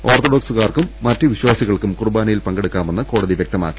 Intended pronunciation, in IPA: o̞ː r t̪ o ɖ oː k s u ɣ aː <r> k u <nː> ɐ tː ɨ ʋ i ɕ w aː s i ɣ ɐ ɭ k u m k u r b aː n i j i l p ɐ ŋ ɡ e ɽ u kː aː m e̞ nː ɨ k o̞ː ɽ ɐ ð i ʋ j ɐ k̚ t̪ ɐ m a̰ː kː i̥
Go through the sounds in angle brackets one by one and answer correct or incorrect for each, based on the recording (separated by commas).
correct, incorrect